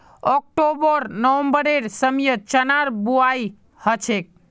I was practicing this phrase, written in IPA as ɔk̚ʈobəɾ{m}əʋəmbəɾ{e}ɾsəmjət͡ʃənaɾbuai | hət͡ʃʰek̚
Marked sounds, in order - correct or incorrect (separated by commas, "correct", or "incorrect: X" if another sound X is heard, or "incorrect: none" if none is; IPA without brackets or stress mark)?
incorrect: n, correct